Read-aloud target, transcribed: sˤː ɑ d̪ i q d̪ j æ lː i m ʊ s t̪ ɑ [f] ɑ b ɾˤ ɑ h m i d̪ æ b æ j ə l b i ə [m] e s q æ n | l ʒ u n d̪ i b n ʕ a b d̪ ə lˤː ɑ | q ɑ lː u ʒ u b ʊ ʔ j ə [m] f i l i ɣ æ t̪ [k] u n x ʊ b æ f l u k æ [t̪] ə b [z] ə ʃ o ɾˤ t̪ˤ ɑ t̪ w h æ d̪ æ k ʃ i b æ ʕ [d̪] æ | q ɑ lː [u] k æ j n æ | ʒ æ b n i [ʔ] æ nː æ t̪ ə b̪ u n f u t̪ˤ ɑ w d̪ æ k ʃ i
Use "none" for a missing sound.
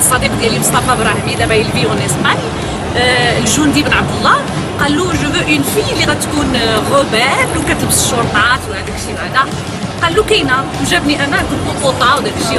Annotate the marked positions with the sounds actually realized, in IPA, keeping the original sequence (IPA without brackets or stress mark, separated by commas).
f, n, n, k, t̪, s, d̪, u, ʔ